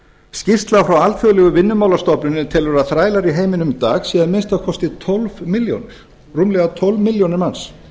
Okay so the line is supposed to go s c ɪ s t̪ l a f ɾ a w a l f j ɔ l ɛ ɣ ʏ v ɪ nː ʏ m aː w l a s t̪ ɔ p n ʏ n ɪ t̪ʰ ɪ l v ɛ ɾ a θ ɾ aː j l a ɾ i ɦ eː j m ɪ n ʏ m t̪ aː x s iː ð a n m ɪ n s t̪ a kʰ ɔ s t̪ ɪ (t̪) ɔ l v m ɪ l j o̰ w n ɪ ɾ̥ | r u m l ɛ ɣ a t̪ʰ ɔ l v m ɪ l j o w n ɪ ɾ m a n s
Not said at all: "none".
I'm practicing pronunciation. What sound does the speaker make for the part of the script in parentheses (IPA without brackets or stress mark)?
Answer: t̪ʰ